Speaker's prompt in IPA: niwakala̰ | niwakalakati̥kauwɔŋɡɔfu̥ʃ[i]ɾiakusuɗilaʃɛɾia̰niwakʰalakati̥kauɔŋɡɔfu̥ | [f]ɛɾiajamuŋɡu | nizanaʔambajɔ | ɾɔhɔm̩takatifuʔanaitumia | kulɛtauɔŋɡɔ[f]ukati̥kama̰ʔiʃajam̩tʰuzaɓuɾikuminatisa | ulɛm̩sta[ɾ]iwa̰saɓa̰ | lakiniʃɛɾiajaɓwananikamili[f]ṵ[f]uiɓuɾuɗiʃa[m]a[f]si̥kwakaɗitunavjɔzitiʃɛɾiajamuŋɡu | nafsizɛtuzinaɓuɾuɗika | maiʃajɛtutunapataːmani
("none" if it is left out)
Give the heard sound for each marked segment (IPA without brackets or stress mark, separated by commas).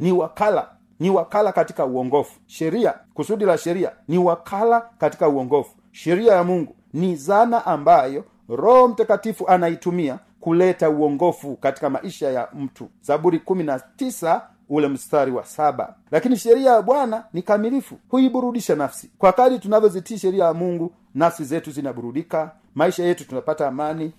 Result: ɛ, ʃ, f, ɾ, f, h, n, f